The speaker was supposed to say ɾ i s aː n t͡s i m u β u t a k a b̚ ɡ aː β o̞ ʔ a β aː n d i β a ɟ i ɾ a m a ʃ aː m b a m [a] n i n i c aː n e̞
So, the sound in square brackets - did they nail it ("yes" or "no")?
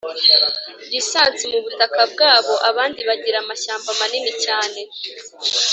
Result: yes